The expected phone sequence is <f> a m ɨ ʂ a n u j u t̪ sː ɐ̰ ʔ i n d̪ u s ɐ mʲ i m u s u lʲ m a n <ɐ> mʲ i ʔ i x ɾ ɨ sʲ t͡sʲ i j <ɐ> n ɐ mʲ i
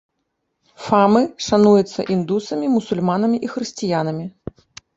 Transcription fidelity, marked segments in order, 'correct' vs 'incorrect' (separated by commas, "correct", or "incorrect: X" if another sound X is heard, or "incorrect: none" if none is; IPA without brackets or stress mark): correct, correct, incorrect: a